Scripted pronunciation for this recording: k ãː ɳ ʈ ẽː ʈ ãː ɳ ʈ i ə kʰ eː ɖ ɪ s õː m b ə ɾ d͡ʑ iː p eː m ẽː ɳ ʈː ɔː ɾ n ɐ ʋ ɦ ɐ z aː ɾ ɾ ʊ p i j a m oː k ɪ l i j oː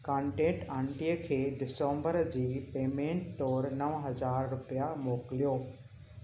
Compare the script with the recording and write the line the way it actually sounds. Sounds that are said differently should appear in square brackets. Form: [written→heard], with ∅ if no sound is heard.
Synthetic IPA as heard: k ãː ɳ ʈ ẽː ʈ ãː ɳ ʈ i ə kʰ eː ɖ ɪ s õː m b ə ɾ d͡ʑ iː p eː m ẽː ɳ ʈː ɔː ɾ n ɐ ʋ ɦ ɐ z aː ɾ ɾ ʊ p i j a m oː k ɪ l i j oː